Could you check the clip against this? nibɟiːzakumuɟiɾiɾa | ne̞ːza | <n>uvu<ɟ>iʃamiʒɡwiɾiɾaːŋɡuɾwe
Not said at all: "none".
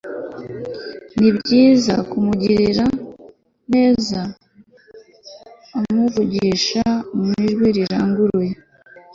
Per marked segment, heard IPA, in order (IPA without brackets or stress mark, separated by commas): m, ɟ